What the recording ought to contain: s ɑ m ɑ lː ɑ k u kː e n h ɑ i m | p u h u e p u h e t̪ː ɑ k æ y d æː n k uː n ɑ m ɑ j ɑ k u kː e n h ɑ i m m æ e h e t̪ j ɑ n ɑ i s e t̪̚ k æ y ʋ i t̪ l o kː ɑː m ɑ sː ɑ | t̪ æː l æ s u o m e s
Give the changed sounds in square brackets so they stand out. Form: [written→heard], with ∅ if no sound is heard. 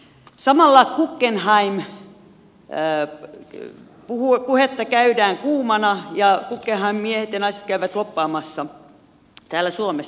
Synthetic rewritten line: s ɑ m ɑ lː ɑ k u kː e n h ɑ i m | p u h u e p u h e t̪ː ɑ k æ y d æː [n→ŋ] k uː [n→m] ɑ [m→n] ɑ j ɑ k u kː e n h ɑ i m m [æ→i] e h e t̪ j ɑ n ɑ i s e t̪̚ k æ y ʋ [i→æ] t̪ l o [kː→pː] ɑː m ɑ sː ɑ | t̪ æː l æ s u o m e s